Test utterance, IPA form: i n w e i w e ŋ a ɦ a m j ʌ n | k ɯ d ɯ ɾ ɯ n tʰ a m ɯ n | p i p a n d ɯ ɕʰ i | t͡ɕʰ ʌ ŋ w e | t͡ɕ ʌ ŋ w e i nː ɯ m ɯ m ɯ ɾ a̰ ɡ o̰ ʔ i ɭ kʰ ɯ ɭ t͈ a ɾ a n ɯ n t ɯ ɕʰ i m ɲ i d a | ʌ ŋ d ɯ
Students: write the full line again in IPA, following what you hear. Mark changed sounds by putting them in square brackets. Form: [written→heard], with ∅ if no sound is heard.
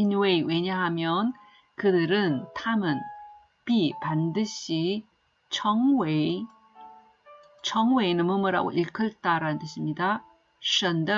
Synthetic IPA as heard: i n w e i w e [ŋ→ɲ] a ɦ a m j ʌ n | k ɯ d ɯ ɾ ɯ n tʰ a m ɯ n | p i p a n d ɯ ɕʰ i | t͡ɕʰ ʌ ŋ w e | [t͡ɕ→t͡ɕʰ] ʌ ŋ w e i [nː→n] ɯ m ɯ m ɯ ɾ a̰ ɡ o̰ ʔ i ɭ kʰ ɯ ɭ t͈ a ɾ a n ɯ n t ɯ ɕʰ i m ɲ i d a | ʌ [ŋ→n] d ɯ